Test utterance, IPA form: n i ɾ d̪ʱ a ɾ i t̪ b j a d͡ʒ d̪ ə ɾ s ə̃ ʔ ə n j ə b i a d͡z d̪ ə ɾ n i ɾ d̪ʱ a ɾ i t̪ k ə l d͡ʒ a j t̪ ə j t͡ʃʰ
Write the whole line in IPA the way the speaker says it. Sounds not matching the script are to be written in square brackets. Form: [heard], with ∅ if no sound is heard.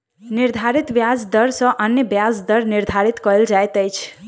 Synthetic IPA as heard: n i ɾ d̪ʱ a ɾ i t̪ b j a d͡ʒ d̪ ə ɾ s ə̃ ʔ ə n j ə b [j] a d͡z d̪ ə ɾ n i ɾ d̪ʱ a ɾ i t̪ k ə l d͡ʒ a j t̪ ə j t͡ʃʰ

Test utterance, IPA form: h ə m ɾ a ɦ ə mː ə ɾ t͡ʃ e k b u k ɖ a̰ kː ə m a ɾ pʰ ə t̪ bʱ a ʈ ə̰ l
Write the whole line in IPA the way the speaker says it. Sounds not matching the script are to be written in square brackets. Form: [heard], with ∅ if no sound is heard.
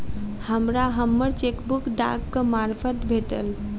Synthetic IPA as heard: h ə m ɾ a ɦ ə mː ə ɾ t͡ʃ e k b u k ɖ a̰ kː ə m a ɾ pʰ ə t̪ bʱ [e] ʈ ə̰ l

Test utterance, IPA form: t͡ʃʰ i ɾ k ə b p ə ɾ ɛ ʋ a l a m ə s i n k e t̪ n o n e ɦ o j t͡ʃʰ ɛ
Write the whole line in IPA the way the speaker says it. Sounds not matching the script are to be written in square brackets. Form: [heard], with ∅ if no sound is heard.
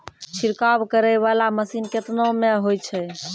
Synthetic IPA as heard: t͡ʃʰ i ɾ k [a] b [k] ə ɾ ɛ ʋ a l a m ə s i n k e t̪ n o [m] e ɦ o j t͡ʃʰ ɛ

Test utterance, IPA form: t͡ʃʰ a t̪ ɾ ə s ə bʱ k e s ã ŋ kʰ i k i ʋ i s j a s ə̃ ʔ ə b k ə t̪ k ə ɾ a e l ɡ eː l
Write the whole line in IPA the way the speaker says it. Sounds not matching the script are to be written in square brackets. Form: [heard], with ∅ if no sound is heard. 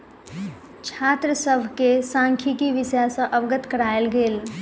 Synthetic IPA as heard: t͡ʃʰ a t̪ ɾ ə s ə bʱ k e s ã ŋ kʰ i k i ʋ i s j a s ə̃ ʔ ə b [ɡ] ə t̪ k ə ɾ a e l ɡ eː l

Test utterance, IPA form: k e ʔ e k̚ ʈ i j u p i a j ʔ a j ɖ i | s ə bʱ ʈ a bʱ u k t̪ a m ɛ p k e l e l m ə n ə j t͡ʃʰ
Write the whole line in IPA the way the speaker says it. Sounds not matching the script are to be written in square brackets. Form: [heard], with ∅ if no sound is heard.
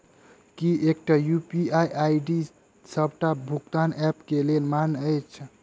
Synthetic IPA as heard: k [i] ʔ e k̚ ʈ [a] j u p i a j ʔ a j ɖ i | s ə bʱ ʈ a bʱ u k t̪ a [n] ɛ p k e l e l m [a] n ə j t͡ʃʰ

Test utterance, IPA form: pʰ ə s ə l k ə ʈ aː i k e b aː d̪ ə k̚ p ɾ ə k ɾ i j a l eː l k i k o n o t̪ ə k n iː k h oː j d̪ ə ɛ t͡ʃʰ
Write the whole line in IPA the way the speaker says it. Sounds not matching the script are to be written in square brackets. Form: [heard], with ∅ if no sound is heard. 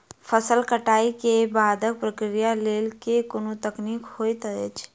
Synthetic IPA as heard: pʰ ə s ə l k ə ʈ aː i k e b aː d̪ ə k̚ p ɾ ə k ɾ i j a l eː l k [e] k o n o t̪ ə k n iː k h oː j [t̪] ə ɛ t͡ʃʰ

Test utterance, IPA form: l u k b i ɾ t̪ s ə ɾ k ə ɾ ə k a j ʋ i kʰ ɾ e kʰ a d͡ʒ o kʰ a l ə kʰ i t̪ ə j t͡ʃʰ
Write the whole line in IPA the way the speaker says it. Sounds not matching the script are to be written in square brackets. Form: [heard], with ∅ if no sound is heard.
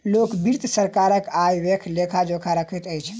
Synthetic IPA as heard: l [o] k b i ɾ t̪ s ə ɾ k [a] ɾ ə k a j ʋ [e] kʰ [l] e kʰ a d͡ʒ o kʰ a [ɾ] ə kʰ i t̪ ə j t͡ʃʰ

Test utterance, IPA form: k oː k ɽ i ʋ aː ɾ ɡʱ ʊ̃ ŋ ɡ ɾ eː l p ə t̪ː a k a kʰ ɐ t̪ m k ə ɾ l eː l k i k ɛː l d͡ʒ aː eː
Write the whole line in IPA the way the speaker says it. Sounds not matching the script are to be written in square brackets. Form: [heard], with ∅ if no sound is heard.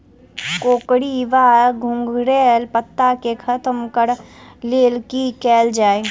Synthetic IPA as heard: k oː k ɽ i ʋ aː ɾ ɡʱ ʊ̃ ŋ ɡ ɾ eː l p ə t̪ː a k [e] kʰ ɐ t̪ m k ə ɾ l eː l k i k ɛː l d͡ʒ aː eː

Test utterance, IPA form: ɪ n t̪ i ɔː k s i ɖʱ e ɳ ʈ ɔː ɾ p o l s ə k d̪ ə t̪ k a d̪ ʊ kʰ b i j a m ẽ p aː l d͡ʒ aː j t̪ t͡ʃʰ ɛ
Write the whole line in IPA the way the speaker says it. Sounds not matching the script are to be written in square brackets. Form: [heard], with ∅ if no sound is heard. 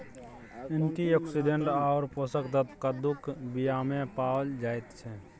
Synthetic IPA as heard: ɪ n t̪ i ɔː k s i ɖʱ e ɳ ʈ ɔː ɾ p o [∅] s ə k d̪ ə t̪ k a d̪ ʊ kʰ b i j a m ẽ p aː l d͡ʒ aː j t̪ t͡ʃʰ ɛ

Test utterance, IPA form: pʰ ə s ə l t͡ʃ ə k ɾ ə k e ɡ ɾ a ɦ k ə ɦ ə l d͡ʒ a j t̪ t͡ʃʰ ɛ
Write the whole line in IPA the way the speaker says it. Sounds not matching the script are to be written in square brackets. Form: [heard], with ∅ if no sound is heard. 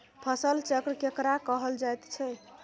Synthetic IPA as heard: pʰ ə s ə l t͡ʃ ə k ɾ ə k e [k] ɾ a [∅] k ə ɦ ə l d͡ʒ a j t̪ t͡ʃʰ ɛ

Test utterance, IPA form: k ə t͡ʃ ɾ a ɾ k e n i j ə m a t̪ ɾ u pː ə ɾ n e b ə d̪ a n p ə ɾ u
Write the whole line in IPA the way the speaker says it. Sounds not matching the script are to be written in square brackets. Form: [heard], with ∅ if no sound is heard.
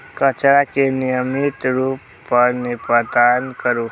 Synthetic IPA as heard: k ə t͡ʃ ɾ a [∅] k e n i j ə m [i] t̪ ɾ u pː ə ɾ n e [p] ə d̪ a n [k] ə ɾ u

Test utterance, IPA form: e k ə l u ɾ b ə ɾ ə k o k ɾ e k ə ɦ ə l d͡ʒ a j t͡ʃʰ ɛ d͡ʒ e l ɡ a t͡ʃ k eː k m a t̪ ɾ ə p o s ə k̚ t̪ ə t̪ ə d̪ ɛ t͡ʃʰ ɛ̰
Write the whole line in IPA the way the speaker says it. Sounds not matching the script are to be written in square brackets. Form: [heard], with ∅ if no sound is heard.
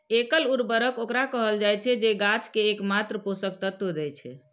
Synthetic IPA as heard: e k ə l u ɾ b ə ɾ ə k o k ɾ [a] k ə ɦ ə l d͡ʒ a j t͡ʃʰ ɛ d͡ʒ e [∅] ɡ a t͡ʃ k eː k m a t̪ ɾ ə p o s ə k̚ t̪ ə t̪ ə d̪ ɛ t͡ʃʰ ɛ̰

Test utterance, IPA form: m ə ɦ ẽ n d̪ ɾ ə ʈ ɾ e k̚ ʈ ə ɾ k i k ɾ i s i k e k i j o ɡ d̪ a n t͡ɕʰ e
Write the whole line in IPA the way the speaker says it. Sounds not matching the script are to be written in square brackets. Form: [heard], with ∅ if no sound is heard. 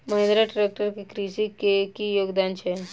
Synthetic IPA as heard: m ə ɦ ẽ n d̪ ɾ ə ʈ ɾ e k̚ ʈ ə ɾ k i k ɾ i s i k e k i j o ɡ d̪ a n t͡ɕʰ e

